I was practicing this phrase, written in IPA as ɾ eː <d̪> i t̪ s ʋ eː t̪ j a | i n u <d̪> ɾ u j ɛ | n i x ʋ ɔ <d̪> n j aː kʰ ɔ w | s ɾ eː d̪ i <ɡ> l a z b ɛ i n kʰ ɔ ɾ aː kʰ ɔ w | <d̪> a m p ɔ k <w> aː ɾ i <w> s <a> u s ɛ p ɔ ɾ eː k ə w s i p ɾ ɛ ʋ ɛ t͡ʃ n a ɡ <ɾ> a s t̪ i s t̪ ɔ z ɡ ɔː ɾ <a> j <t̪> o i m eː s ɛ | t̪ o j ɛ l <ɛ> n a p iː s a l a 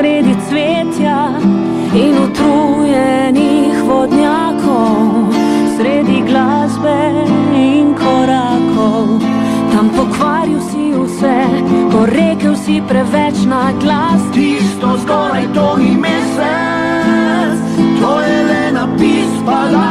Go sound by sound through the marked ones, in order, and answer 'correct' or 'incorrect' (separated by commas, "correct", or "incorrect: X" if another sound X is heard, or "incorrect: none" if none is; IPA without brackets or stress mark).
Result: correct, incorrect: t̪, correct, correct, incorrect: t̪, incorrect: ʋ, correct, incorrect: i, incorrect: l, correct, correct, correct